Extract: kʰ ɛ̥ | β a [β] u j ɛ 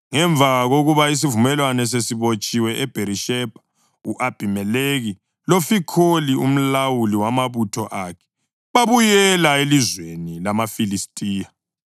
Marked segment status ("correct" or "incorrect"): correct